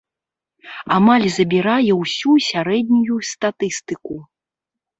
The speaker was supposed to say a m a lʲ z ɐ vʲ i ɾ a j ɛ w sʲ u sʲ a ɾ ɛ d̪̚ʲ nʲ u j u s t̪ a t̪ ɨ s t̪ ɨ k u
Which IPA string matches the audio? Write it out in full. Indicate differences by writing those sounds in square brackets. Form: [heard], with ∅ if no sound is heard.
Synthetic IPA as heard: a m a lʲ z ɐ [bʲ] i ɾ a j ɛ w sʲ u sʲ a ɾ ɛ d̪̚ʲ nʲ u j u s t̪ a t̪ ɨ s t̪ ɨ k u

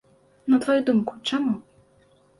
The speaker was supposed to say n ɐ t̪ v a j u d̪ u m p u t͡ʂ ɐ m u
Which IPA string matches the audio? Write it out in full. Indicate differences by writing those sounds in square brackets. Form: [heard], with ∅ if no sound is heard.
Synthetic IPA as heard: n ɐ t̪ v a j u d̪ u m [k] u t͡ʂ [a] m u

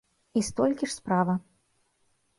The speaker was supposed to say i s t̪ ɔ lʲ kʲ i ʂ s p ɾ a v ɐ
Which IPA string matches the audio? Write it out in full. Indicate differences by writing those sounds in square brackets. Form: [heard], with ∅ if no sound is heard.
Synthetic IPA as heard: i s t̪ ɔ lʲ kʲ i ʂ s p ɾ a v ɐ

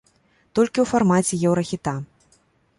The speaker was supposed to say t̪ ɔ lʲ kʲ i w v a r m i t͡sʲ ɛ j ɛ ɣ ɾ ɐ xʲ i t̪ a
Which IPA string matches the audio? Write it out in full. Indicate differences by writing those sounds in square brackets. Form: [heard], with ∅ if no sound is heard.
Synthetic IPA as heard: t̪ ɔ lʲ kʲ i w [f] a r m [a] t͡sʲ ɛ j ɛ [w] ɾ ɐ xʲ i t̪ a

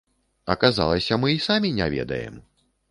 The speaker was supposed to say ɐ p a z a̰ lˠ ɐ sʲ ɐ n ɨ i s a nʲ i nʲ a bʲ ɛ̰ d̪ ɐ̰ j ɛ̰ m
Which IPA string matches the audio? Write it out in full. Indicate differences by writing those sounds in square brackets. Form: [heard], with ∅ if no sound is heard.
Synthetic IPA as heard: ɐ [k] a z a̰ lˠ ɐ sʲ ɐ [m] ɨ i s a [mʲ] i nʲ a [vʲ] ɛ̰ d̪ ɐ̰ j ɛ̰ m

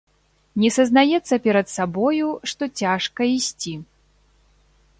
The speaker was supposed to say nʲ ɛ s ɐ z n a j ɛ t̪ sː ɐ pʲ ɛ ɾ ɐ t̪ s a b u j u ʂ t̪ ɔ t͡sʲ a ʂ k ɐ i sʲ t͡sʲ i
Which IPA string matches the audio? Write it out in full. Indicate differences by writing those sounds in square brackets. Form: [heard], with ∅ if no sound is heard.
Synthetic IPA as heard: nʲ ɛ s ɐ z n a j ɛ t̪ sː ɐ pʲ ɛ ɾ ɐ t̪ s a b [ɔ] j u ʂ t̪ ɔ t͡sʲ a ʂ k ɐ i sʲ t͡sʲ i

